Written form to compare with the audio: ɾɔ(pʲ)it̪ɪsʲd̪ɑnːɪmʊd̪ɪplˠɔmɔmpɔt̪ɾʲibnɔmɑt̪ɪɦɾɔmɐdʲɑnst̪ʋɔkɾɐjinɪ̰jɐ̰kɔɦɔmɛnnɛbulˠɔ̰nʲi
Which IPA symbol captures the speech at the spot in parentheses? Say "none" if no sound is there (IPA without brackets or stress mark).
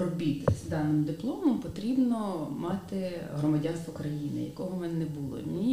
bʲ